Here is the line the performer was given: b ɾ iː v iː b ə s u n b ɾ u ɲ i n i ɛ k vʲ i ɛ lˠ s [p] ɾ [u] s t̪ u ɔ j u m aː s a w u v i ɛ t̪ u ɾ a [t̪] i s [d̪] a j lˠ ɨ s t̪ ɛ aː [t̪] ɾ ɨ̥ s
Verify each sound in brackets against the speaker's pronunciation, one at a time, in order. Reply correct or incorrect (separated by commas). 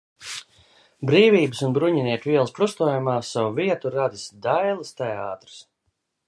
correct, correct, incorrect, correct, correct